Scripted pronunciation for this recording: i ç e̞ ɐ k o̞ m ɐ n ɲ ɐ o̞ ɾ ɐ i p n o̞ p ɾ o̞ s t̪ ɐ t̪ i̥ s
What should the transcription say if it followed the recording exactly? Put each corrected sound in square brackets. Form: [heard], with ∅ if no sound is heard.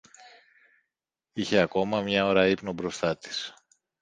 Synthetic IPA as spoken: i ç e̞ ɐ k o̞ m ɐ [m] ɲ ɐ o̞ ɾ ɐ i p n o̞ [b] ɾ o̞ s t̪ ɐ t̪ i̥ s